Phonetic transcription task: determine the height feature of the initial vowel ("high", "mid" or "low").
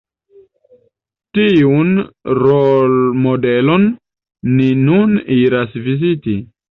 high